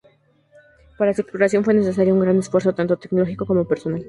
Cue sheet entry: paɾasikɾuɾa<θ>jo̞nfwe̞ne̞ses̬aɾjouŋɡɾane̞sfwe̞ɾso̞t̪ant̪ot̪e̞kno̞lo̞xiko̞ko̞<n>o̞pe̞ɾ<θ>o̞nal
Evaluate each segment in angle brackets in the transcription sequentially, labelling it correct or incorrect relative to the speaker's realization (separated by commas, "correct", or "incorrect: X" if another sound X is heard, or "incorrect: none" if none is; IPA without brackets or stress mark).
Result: incorrect: s, incorrect: m, incorrect: s